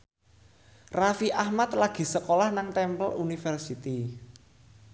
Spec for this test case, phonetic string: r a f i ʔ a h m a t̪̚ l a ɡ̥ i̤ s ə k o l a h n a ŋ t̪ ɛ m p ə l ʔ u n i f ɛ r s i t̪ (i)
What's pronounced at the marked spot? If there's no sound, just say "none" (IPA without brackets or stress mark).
i